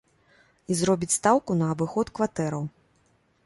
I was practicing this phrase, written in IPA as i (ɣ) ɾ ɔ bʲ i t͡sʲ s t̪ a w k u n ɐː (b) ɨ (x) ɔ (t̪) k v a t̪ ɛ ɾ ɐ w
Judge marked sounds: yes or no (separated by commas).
no, yes, yes, yes